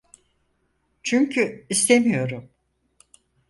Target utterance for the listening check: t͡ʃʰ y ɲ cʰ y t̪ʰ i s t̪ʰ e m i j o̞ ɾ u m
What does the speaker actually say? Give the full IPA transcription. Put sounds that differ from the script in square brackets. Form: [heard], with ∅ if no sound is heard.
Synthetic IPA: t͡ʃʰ y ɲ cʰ y [∅] i s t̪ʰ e m i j o̞ ɾ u m